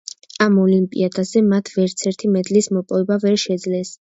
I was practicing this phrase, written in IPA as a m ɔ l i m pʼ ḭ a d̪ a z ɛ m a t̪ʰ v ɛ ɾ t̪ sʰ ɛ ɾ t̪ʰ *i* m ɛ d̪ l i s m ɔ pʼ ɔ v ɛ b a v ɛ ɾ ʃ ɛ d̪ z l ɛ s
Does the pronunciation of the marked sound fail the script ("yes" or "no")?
no